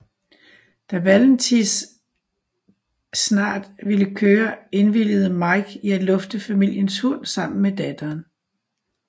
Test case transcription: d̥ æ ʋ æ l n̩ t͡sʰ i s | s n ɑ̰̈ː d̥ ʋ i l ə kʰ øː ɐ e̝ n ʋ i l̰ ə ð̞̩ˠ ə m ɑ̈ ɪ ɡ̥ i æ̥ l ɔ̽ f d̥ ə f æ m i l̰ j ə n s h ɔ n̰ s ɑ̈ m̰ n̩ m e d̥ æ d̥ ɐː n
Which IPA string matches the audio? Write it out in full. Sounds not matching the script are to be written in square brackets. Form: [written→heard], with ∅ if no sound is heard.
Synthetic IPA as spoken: d̥ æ ʋ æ l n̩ t͡sʰ i s | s n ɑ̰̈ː d̥ ʋ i l ə kʰ øː ɐ e̝ n ʋ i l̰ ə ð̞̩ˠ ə m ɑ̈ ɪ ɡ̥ i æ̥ l ɔ̽ f d̥ ə f æ m i l̰ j ə n s h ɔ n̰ s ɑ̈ m̰ n̩ m e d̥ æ d̥ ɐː n